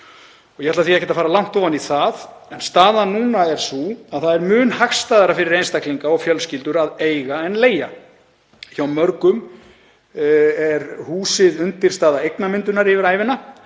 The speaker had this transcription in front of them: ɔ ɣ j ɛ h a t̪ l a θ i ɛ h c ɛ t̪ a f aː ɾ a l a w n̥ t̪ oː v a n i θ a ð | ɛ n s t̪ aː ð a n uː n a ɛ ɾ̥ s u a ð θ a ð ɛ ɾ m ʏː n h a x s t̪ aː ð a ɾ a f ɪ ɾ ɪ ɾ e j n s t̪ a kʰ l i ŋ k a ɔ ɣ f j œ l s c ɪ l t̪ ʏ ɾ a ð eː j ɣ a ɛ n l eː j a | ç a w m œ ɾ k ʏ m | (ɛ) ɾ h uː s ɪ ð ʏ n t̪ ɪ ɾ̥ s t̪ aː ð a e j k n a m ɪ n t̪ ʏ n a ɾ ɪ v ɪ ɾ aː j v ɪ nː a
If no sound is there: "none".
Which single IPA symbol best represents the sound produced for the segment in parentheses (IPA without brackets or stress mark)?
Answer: ɛ